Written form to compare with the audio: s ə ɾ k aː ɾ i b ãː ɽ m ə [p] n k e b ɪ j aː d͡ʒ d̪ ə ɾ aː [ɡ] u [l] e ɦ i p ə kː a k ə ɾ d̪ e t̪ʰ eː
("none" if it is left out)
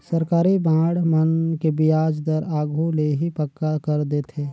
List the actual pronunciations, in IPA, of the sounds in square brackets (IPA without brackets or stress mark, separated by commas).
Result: none, ɡ, l